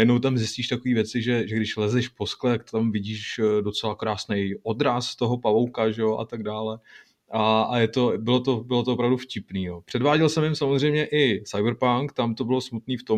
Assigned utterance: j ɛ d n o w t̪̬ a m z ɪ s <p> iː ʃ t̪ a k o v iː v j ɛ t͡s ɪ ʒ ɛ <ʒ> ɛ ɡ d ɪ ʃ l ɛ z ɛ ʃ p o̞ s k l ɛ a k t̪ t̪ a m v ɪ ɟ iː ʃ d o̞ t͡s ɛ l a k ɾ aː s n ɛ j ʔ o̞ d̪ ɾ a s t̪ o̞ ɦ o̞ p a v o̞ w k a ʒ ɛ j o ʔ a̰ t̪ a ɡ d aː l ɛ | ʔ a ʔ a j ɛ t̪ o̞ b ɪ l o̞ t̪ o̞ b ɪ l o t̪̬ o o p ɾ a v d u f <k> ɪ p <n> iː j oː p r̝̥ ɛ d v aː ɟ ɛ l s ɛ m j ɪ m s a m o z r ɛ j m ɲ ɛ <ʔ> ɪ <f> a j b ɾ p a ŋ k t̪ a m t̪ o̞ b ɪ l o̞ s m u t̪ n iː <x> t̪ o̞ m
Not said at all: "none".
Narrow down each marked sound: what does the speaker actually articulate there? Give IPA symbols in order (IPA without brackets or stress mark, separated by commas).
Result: c, ʒ, c, n, ʔ, s, f